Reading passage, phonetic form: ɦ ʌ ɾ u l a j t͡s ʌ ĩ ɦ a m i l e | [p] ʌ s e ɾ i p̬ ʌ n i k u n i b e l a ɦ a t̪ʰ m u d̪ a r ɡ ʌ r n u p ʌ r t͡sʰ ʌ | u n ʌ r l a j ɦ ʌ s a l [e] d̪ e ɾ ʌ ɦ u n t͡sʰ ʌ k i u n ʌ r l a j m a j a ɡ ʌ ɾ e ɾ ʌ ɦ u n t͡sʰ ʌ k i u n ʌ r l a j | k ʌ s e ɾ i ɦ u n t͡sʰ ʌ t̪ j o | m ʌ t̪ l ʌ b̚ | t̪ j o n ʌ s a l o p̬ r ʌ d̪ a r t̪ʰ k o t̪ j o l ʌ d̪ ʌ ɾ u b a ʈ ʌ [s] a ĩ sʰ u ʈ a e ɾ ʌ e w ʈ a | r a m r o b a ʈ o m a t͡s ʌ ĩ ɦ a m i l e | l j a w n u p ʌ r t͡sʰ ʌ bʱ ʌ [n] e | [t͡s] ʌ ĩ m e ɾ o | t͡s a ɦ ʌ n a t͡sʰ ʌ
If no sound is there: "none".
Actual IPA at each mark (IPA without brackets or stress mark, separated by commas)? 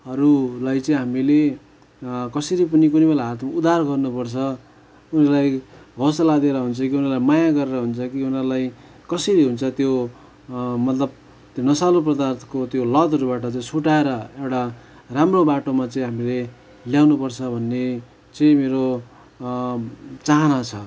k, a, t͡s, nː, t͡s